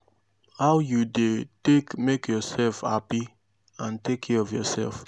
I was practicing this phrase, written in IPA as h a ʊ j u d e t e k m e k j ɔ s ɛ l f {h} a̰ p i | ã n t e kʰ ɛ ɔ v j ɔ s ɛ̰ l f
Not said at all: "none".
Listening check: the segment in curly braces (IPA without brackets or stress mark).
h